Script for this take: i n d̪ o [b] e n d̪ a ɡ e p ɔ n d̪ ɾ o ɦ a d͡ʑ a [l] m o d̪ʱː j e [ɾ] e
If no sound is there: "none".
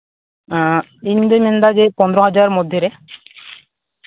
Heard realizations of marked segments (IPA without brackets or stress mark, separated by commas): m, ɾ, ɾ